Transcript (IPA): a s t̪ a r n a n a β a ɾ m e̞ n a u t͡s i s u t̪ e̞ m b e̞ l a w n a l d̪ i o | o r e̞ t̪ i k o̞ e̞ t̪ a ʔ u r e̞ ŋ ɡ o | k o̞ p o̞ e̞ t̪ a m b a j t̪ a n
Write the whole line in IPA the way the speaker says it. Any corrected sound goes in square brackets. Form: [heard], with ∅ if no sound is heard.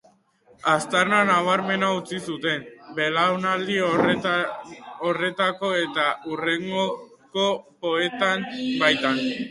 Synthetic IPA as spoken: a s t̪ a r n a n a β a ɾ m e̞ n a u t͡s i s u t̪ e̞ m b e̞ l a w n a l d̪ i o | o r e̞ t̪ [a] k o̞ e̞ t̪ a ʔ u r e̞ ŋ ɡ o | k o̞ p o̞ e̞ t̪ a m b a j t̪ a n